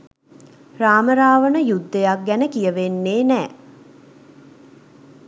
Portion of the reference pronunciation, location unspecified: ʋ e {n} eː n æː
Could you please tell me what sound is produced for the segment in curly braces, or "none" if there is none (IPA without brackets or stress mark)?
nː